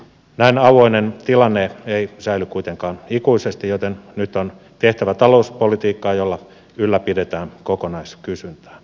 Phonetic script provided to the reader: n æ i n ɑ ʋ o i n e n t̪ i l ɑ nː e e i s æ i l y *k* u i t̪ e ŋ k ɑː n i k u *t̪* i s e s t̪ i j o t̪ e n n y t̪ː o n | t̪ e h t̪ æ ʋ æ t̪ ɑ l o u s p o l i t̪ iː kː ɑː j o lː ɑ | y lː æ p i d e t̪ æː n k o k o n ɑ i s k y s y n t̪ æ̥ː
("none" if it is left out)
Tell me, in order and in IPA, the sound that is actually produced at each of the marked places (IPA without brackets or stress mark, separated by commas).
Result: k, none